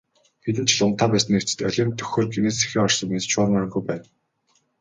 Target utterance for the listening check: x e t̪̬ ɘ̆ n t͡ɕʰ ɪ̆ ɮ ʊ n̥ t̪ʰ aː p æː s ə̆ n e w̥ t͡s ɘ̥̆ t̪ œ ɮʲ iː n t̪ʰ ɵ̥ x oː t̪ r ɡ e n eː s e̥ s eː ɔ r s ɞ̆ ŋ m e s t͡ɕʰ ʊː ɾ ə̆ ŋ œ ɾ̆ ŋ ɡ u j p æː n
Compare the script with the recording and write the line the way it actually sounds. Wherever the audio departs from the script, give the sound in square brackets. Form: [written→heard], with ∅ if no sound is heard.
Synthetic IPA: x e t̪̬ ɘ̆ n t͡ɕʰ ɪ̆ ɮ ʊ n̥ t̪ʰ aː p æː s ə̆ n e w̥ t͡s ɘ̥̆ t̪ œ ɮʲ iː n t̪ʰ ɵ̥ x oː [t̪→∅] r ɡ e n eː s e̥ [s→x] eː ɔ r s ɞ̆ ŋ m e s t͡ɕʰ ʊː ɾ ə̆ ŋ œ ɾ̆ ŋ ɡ u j p æː n